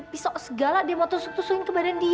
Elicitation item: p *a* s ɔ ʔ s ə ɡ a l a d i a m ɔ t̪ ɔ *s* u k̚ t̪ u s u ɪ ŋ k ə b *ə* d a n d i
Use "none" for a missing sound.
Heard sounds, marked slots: i, s, a

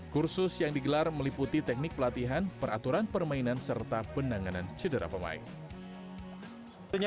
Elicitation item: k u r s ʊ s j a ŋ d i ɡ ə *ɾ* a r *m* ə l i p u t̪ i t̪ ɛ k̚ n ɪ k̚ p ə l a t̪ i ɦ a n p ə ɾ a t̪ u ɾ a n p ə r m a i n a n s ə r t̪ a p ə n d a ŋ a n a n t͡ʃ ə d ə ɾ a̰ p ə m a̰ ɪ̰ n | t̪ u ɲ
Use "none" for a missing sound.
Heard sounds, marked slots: l, m

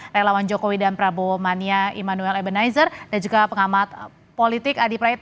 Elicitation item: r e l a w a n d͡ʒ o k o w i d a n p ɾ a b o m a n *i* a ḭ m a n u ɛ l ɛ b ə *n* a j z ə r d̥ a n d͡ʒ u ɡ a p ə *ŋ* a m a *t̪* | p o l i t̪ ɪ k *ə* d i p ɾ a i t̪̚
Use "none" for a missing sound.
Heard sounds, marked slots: i, n, ŋ, t̪, a

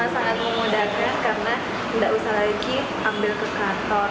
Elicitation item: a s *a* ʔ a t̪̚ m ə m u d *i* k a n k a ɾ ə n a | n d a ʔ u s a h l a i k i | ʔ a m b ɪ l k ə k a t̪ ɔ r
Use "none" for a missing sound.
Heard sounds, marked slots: a, a

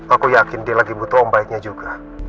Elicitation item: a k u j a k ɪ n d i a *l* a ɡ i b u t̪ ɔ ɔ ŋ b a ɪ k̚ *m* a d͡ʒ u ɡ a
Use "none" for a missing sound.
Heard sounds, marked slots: l, ɲ

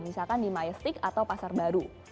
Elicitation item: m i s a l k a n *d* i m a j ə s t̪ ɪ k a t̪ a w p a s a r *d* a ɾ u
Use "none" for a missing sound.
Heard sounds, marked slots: d, b

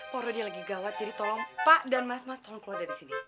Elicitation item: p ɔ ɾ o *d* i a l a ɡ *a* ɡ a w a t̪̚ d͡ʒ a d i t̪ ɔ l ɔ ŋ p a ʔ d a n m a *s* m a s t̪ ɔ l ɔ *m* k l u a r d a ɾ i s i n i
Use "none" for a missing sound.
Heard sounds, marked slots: d, i, s, ŋ

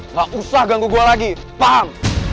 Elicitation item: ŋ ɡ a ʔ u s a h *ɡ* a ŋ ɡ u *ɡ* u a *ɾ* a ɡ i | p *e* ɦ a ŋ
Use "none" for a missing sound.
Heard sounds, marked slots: ɡ, ɡ, l, a

